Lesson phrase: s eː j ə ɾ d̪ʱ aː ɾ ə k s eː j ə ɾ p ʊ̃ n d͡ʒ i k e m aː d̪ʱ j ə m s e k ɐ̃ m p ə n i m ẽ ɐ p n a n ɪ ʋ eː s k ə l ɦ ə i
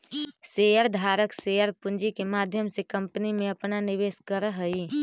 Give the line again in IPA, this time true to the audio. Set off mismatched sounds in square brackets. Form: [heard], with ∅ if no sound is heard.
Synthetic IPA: s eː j ə ɾ d̪ʱ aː ɾ ə k s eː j ə ɾ p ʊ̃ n d͡ʒ i k e m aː d̪ʱ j ə m s e k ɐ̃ m p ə n i m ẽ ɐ p n a n ɪ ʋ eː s k ə [ɾ] ɦ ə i